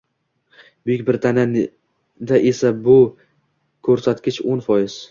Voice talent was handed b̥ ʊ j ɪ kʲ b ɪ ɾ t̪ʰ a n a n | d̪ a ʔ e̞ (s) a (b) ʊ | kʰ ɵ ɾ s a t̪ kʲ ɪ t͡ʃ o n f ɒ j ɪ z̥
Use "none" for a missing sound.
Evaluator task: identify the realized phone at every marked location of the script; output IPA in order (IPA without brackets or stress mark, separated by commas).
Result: s, b